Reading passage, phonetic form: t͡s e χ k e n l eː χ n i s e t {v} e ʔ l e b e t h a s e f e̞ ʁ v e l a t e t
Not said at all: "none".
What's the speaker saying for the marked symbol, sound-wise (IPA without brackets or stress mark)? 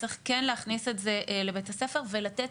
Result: z